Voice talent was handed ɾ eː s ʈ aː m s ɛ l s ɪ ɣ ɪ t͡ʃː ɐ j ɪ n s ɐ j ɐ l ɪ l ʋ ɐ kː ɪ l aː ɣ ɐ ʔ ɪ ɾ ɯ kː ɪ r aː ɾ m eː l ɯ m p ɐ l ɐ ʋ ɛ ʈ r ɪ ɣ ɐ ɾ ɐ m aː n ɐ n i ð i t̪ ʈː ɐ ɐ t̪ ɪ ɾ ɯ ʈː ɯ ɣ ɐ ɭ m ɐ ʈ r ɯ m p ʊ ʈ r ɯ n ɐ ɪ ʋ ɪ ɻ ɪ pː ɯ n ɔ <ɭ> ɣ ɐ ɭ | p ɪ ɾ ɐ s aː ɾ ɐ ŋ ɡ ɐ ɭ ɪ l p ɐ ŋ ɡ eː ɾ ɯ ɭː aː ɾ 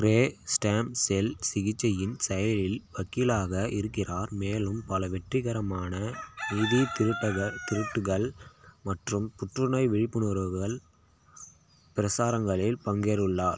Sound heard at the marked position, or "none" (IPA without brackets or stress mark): ɾ